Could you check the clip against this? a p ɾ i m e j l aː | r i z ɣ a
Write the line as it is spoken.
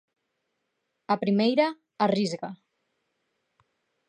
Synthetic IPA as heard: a p ɾ i m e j ɾ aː | r i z ɣ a